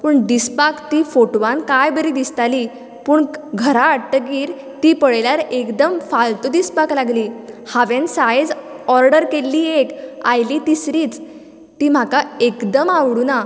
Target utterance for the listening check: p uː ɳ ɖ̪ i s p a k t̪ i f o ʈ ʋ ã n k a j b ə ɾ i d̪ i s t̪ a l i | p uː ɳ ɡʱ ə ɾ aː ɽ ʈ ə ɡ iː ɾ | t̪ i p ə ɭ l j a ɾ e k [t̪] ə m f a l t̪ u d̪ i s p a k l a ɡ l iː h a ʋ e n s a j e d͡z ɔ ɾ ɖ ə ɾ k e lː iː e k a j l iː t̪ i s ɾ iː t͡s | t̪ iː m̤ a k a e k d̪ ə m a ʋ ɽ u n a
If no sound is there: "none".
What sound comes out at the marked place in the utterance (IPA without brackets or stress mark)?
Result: d̪